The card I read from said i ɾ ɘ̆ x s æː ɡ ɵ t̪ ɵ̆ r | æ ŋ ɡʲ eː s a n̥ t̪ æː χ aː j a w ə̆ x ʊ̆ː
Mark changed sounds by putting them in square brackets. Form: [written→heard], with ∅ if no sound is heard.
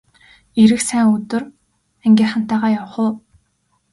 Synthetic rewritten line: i ɾ ɘ̆ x s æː [ɡ→ŋ] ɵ t̪ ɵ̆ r | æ ŋ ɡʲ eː [s→χ] a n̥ t̪ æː [χ→ʁ] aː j a w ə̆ [x→χ] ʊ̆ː